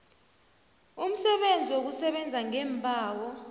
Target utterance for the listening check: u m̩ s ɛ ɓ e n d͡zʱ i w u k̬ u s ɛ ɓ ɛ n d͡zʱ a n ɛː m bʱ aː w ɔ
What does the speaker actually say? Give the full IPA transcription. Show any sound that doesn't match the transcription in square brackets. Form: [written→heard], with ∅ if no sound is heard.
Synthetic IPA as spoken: u m̩ s ɛ ɓ e n d͡zʱ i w [u→o] k̬ u s ɛ ɓ ɛ n d͡zʱ a [n→ŋ] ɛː m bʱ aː w ɔ